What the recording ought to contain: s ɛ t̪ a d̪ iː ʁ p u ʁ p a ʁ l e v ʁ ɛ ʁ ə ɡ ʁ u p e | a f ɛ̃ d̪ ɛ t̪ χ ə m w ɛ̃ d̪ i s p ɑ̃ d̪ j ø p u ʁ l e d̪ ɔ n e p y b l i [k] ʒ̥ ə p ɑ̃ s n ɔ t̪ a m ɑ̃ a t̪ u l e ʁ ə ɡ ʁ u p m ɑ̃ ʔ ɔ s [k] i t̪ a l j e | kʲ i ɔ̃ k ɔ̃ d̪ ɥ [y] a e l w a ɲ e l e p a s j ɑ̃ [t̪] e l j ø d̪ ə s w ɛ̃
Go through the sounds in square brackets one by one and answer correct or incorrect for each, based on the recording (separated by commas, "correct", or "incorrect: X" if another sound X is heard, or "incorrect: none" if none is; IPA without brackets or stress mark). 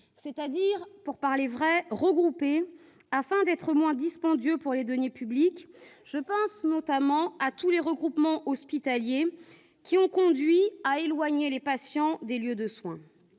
correct, incorrect: p, incorrect: i, incorrect: d̪